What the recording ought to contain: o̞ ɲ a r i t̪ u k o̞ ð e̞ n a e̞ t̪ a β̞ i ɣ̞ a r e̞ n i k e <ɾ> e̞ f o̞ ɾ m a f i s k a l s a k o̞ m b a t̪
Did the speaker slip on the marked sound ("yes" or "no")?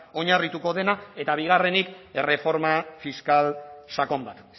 yes